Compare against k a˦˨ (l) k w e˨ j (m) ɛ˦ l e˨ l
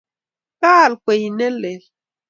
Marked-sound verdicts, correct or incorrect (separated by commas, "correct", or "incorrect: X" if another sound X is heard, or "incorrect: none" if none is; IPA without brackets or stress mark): correct, incorrect: n